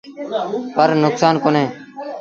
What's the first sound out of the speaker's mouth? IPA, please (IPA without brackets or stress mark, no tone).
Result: p